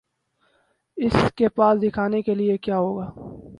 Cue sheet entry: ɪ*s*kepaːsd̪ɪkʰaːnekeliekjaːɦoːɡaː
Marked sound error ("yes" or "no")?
no